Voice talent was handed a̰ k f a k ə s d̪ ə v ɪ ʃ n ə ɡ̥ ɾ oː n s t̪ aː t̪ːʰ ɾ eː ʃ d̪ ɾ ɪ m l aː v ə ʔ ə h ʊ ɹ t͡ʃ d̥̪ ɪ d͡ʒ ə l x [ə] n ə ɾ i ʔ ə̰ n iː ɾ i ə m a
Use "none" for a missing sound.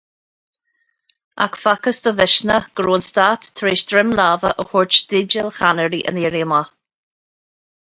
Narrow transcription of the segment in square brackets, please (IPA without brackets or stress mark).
a